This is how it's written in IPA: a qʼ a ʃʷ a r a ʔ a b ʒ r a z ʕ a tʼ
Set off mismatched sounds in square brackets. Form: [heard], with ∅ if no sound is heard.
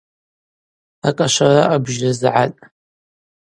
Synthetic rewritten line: a [kʼ] a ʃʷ a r a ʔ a b ʒ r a z ʕ a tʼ